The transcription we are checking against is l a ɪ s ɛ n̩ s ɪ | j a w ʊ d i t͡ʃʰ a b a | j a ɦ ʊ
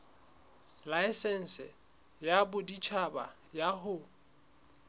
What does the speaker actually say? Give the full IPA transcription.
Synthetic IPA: l a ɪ s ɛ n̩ s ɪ | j a b ʊ d i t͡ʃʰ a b a | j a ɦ ʊ